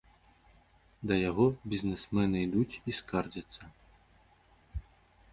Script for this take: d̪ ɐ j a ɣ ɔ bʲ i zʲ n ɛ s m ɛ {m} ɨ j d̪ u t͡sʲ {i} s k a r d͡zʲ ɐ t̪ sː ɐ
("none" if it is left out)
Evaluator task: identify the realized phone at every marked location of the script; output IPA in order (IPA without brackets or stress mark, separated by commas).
n, i